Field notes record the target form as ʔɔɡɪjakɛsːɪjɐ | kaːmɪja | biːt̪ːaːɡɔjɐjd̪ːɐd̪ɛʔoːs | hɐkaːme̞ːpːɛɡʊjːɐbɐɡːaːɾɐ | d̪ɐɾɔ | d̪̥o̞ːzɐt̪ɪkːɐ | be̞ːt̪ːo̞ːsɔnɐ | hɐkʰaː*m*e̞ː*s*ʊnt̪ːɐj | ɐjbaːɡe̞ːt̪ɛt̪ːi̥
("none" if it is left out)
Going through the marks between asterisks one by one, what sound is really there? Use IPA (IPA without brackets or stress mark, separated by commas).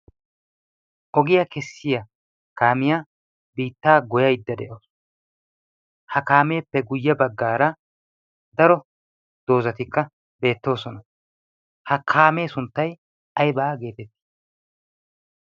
m, s